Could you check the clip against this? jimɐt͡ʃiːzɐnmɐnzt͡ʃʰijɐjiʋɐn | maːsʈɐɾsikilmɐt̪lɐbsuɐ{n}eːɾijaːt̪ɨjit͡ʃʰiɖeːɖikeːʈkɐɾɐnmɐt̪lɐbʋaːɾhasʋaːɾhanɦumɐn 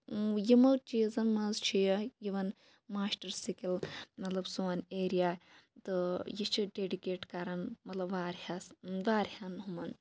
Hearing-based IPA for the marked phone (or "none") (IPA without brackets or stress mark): n